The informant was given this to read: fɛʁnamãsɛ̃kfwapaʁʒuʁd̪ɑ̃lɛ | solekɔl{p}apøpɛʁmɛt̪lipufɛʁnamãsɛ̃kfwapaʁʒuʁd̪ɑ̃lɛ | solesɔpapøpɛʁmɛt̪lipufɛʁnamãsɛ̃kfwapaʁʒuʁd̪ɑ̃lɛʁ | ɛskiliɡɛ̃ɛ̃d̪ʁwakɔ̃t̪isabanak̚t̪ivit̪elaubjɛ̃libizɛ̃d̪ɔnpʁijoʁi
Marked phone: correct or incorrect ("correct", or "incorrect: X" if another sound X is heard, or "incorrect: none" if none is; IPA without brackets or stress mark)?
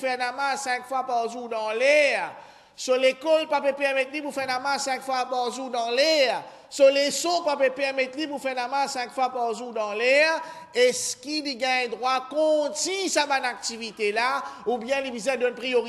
correct